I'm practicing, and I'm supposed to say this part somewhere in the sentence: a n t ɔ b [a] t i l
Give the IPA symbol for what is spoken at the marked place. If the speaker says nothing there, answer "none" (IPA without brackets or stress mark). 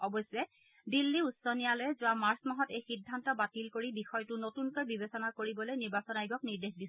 a